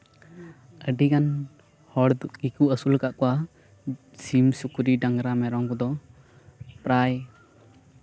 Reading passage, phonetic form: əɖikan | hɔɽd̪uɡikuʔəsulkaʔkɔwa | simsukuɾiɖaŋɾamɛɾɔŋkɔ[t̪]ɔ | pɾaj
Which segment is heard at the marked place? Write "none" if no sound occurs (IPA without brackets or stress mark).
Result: d̪